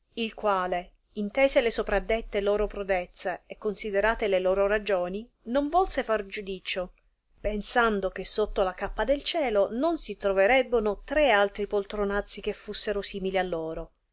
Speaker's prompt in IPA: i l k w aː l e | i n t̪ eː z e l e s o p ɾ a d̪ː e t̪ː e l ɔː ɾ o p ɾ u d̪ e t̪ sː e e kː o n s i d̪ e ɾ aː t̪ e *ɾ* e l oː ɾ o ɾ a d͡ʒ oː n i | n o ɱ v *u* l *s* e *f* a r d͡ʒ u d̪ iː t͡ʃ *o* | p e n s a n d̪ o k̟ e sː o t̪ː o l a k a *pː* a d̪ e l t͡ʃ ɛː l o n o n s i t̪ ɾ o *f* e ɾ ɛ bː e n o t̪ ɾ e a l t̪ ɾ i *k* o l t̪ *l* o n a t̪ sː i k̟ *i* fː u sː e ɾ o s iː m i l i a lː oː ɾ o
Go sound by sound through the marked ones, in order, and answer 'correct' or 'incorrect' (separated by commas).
incorrect, incorrect, correct, correct, correct, correct, incorrect, incorrect, incorrect, incorrect